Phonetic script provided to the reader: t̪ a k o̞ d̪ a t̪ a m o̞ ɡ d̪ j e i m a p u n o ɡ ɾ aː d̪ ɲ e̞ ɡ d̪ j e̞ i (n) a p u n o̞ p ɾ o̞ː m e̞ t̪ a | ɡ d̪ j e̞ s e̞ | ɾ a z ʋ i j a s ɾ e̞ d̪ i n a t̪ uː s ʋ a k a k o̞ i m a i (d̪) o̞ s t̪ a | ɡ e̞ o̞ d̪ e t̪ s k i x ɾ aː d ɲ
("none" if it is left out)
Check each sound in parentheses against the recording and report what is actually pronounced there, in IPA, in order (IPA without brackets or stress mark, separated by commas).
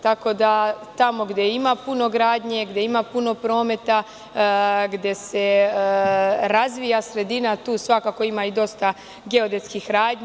m, d̪